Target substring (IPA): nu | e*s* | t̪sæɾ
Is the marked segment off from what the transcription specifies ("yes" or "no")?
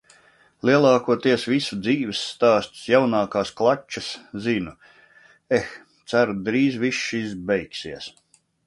yes